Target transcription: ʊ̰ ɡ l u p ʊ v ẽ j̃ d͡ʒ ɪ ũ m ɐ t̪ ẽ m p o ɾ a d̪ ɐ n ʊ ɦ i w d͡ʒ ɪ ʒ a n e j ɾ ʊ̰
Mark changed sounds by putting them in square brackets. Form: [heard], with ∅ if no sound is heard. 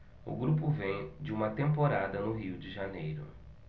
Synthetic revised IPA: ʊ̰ ɡ [ɾ] u p ʊ v ẽ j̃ d͡ʒ ɪ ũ m ɐ t̪ ẽ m p o ɾ a d̪ ɐ n ʊ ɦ i w d͡ʒ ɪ ʒ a n e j ɾ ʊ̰